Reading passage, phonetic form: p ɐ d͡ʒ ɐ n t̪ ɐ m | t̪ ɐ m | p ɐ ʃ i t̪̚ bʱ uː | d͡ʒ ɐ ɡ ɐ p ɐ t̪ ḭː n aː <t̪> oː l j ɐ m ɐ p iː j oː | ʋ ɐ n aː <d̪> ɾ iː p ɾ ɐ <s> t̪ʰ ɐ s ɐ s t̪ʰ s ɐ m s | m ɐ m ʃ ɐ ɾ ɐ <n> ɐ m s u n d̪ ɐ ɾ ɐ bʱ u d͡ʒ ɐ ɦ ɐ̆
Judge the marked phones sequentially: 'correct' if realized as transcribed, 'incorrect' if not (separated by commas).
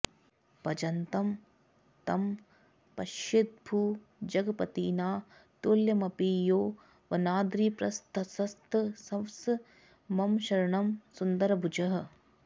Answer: correct, correct, correct, incorrect